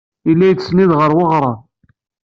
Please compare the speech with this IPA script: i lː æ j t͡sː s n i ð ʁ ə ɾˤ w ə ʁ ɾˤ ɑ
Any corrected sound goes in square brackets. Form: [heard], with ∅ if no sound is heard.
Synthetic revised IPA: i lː æ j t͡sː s n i ð ʁ ə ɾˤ w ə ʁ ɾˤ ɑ